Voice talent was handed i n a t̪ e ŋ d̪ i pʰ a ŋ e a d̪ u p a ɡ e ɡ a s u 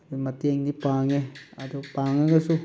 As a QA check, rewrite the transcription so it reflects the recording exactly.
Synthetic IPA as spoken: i m a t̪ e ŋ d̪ i p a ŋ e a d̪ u p a ŋ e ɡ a s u